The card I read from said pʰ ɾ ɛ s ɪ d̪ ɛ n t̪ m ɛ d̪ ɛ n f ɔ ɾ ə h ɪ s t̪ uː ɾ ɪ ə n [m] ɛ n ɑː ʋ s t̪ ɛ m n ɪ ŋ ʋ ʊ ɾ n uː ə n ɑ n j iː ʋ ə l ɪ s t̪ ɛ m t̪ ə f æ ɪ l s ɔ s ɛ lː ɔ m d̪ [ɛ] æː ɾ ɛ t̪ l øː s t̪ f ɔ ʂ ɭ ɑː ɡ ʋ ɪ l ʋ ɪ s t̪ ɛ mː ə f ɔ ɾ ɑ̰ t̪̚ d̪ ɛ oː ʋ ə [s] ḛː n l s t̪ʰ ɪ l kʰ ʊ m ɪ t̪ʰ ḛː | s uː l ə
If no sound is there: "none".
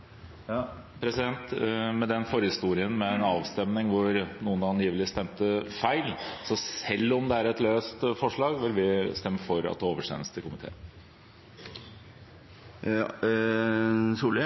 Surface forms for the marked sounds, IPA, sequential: m, ɛ, ʂ

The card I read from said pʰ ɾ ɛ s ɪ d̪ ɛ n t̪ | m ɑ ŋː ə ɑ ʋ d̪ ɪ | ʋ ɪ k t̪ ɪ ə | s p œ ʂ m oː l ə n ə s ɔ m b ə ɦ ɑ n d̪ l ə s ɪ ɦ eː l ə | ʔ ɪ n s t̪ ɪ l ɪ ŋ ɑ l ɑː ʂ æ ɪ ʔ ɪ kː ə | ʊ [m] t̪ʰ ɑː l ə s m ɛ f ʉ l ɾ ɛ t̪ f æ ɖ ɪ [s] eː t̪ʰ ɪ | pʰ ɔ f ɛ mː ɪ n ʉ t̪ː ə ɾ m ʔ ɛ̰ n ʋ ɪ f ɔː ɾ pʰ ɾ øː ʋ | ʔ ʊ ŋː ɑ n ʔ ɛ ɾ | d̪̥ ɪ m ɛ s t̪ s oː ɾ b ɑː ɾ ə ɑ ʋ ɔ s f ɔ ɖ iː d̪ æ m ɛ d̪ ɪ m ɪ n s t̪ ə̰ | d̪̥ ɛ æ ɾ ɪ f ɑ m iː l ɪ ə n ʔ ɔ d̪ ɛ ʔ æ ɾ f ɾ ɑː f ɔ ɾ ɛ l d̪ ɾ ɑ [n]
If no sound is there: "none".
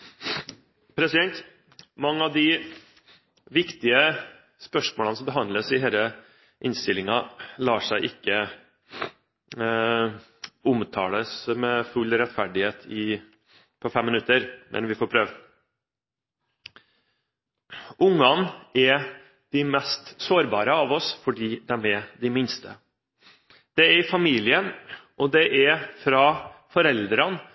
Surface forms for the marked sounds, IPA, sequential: m, h, n

